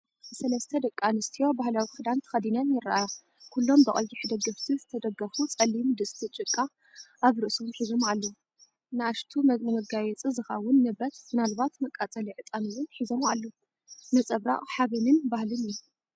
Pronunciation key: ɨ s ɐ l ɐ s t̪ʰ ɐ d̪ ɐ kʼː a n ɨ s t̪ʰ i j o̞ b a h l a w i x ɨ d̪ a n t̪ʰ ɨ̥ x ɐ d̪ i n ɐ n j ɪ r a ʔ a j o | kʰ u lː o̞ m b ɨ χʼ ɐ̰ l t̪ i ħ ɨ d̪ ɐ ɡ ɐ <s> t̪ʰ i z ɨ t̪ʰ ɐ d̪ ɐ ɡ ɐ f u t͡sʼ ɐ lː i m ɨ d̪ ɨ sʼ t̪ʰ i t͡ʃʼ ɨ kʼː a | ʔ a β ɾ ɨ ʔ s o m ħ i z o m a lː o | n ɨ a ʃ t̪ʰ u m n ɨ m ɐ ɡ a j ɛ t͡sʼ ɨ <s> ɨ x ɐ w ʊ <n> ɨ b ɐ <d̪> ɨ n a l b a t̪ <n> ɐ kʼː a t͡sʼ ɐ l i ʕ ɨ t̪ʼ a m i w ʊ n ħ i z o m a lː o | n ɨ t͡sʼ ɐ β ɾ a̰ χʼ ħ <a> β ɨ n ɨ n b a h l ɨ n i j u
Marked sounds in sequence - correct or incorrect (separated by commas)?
incorrect, incorrect, incorrect, incorrect, incorrect, correct